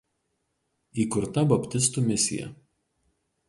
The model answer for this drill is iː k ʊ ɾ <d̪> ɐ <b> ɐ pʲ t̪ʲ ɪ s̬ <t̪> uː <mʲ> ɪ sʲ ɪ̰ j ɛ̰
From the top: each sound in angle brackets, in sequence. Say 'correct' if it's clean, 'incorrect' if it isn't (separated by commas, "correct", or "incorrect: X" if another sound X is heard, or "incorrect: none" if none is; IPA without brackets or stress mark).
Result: incorrect: t̪, correct, correct, correct